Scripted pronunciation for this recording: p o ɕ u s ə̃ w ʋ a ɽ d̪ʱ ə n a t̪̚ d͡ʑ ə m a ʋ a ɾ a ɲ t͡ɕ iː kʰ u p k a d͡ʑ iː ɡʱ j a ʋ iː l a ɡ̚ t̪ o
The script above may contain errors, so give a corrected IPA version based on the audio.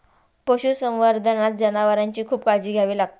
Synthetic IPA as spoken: p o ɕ u s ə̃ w ʋ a ɾ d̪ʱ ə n a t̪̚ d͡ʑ ə n a ʋ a ɾ a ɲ t͡ɕ iː kʰ uː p k a d͡ʑ iː ɡʱ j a ʋ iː l a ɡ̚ t̪ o